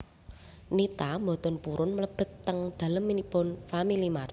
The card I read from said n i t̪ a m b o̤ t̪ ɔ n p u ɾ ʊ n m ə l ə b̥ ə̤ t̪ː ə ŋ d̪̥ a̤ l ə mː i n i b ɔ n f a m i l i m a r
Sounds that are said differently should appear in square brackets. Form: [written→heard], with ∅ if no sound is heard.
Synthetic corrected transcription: n i t̪ a m b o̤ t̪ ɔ n p u ɾ ʊ n m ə l ə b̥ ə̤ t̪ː ə ŋ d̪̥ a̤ l ə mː i n i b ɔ n f a m i l i m a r